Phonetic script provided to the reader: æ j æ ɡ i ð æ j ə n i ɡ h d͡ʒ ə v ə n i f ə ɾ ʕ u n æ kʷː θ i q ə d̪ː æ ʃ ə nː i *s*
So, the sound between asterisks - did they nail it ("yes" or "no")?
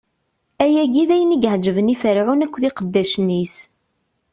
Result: yes